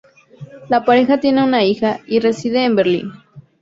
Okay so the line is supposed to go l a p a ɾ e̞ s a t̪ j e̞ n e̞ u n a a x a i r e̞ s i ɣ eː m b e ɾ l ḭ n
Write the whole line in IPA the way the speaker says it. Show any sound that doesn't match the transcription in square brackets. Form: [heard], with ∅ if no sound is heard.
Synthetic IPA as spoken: l a p a ɾ e̞ [x] a t̪ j e̞ n e̞ u n a [i] x a i r e̞ s i [ð] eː m b e ɾ l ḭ n